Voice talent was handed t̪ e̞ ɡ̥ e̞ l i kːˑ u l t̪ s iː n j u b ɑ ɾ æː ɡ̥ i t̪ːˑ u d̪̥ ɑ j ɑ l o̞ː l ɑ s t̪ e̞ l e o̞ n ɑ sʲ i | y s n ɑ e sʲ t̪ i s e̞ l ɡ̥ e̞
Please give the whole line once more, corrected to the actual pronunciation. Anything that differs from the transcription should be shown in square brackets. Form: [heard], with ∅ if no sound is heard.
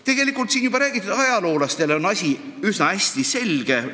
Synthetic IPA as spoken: t̪ e̞ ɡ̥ e̞ l i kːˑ u l t̪ s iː n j u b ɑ ɾ æː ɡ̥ i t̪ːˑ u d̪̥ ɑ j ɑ l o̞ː l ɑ s t̪ e̞ l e o̞ n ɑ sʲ i | y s n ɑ [æ] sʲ t̪ i s e̞ l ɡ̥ e̞